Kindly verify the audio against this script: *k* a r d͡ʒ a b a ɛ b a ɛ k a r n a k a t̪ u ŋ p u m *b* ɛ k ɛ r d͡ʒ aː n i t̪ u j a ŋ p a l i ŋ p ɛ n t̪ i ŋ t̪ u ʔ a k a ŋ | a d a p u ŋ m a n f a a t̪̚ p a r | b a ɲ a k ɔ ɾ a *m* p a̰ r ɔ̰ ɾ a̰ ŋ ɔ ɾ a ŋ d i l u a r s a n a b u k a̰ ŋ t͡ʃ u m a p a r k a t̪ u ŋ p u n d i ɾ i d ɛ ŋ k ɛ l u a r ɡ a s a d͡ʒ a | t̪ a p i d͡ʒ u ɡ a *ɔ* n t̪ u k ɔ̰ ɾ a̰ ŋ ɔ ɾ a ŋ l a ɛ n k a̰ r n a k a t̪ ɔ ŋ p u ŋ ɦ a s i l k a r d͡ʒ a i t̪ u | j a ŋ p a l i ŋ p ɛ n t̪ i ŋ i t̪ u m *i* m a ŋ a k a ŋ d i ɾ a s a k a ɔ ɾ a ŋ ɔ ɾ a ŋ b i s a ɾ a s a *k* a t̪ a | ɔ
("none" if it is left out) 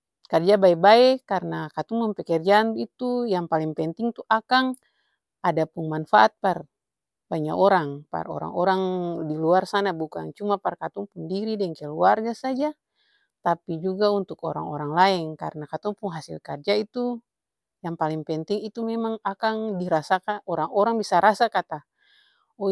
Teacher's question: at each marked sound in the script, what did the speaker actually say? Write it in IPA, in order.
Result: k, p, ŋ, u, ɛ, k

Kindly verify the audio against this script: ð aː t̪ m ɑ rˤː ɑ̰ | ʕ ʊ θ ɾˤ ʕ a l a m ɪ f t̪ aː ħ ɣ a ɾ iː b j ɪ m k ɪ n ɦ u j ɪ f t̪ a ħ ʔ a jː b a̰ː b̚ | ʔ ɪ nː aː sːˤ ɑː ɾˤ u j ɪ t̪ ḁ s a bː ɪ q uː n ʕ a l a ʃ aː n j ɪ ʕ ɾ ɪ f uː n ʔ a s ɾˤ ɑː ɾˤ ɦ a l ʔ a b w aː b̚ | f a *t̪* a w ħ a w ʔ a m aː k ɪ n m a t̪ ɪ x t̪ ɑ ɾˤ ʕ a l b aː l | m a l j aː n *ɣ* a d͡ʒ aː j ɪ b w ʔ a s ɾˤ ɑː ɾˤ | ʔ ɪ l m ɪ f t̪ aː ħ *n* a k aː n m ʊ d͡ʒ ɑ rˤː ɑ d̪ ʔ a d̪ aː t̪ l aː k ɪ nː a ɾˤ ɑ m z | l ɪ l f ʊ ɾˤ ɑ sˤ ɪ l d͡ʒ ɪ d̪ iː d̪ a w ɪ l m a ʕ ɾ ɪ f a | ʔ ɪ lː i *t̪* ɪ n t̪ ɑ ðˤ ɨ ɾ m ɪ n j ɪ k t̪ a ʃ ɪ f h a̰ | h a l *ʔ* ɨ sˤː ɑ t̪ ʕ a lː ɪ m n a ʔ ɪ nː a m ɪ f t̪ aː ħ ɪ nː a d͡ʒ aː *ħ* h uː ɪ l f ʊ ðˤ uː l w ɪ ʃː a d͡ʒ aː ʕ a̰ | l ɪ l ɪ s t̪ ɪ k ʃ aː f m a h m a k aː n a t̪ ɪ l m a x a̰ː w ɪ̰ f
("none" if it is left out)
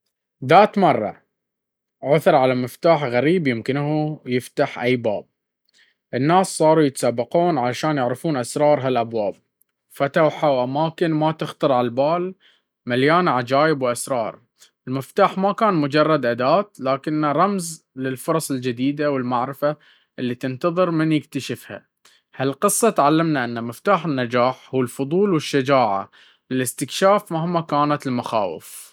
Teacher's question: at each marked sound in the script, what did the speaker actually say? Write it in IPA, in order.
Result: t̪, ʕ, m, t̪, q, ħ

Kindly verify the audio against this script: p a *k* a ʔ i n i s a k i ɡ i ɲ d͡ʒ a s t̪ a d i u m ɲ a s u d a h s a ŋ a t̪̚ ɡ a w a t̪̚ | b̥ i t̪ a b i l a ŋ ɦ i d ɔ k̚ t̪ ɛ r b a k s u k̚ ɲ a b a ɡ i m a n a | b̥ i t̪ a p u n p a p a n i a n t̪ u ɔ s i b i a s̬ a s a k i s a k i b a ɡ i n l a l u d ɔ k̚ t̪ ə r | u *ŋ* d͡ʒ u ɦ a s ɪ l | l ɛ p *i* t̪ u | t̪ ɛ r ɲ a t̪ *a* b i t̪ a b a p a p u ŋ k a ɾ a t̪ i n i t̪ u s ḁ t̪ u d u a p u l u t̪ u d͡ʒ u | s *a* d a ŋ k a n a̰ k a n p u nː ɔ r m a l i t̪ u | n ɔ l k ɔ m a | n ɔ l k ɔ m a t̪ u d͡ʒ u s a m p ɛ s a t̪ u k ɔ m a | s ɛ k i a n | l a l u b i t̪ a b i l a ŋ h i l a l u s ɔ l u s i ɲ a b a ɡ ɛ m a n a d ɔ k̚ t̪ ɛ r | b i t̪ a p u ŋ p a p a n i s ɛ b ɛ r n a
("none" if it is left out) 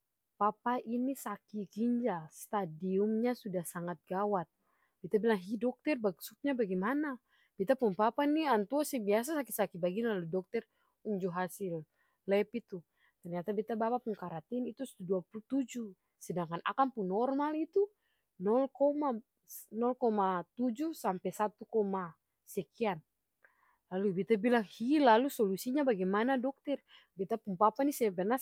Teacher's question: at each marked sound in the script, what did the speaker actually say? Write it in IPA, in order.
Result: p, ɲ, i, a, ɛ

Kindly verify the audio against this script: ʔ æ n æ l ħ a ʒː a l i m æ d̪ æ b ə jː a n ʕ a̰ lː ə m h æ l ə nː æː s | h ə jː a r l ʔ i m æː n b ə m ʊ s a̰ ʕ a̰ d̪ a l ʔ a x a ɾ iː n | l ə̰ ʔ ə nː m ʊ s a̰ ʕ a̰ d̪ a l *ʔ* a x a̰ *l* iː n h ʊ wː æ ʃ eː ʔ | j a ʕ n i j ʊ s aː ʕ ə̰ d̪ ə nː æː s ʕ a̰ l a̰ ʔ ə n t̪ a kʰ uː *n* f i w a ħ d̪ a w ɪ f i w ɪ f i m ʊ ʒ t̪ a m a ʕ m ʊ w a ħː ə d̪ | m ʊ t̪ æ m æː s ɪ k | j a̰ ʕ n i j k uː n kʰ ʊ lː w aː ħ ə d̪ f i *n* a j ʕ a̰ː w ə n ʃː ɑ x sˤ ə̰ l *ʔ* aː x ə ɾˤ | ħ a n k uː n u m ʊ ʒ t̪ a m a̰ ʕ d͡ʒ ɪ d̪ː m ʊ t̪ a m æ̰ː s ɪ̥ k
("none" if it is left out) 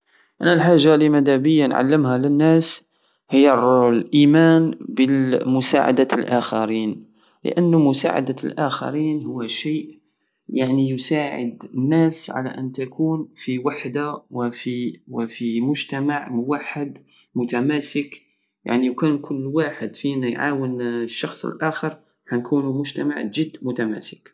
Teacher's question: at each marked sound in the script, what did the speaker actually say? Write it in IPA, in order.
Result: ʔ, ɾ, n, n, ʔ

